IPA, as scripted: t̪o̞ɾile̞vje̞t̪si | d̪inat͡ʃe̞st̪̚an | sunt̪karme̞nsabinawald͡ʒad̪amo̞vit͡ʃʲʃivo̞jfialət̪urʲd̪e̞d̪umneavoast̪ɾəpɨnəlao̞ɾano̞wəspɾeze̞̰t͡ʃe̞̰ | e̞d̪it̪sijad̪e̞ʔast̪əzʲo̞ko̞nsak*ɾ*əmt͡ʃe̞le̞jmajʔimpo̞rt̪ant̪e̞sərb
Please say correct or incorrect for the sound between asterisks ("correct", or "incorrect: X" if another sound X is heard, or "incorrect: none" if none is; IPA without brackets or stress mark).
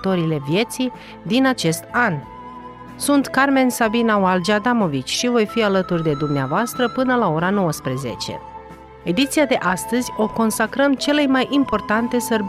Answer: correct